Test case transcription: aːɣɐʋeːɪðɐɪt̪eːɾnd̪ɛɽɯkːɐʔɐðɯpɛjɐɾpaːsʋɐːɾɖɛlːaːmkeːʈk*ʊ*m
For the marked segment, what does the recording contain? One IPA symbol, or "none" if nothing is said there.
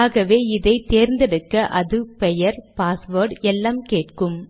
ɯ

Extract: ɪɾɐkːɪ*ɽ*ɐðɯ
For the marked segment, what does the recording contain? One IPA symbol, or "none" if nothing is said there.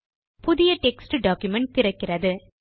r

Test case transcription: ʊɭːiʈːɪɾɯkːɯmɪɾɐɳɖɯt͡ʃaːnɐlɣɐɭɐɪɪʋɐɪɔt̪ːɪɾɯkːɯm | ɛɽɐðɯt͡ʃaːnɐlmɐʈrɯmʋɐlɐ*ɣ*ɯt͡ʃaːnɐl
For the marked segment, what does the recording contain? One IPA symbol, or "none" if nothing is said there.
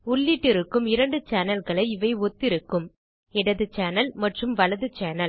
ð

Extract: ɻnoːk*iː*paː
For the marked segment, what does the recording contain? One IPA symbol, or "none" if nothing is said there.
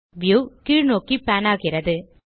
i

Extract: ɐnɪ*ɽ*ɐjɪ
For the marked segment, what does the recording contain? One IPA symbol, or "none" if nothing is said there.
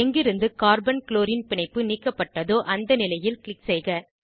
l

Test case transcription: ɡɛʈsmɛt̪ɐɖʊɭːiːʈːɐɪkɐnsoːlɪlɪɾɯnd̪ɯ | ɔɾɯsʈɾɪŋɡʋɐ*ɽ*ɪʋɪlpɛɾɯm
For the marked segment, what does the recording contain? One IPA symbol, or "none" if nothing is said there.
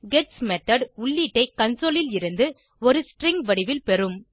ɽ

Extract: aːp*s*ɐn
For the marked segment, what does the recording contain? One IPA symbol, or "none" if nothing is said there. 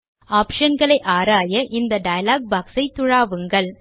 ʂ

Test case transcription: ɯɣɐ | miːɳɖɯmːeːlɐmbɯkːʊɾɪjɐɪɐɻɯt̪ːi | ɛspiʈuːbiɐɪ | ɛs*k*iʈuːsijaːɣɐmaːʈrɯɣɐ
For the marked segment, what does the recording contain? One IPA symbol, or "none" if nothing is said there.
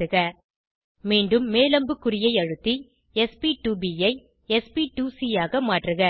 p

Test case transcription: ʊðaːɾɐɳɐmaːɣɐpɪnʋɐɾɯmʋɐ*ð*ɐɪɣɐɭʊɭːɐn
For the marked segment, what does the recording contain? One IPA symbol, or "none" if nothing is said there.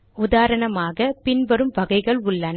ɣ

